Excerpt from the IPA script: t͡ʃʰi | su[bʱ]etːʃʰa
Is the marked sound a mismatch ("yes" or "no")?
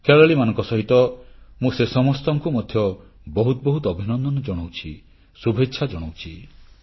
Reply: no